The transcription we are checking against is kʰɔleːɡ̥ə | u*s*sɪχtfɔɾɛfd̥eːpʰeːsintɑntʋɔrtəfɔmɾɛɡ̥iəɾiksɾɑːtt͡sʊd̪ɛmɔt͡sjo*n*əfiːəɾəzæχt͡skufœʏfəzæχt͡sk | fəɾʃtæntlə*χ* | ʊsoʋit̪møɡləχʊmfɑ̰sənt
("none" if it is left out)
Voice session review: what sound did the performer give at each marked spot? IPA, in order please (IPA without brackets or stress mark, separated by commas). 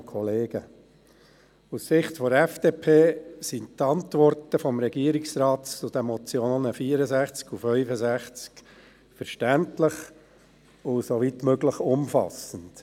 s, n, χ